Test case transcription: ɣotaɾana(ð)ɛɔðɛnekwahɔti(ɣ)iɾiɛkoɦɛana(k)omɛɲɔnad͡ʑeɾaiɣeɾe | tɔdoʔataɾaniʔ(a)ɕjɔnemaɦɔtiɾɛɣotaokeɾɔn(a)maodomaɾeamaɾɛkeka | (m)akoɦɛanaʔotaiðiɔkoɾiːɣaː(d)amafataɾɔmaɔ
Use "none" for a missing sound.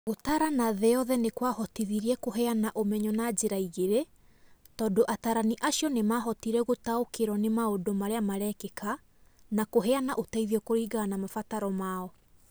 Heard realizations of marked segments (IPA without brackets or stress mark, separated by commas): ð, ð, ʔ, a, e, n, n